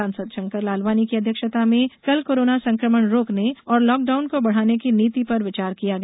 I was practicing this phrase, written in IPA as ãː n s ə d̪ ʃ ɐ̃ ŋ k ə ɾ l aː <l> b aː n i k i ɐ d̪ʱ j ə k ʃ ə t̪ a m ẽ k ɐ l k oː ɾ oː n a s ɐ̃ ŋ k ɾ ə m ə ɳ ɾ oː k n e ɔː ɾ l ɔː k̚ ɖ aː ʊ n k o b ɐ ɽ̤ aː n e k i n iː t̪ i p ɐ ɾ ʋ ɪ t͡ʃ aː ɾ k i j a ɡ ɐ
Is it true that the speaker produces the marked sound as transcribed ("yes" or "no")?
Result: yes